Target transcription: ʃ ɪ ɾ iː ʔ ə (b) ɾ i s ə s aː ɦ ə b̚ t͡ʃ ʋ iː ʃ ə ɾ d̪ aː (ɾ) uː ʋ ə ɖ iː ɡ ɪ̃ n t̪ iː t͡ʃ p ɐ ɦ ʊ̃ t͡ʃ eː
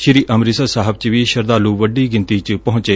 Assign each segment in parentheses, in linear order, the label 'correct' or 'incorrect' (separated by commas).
incorrect, incorrect